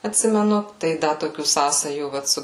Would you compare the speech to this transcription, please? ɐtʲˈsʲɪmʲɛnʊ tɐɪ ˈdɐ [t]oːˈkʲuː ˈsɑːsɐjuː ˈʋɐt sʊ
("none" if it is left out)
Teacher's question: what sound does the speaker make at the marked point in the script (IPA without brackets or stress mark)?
t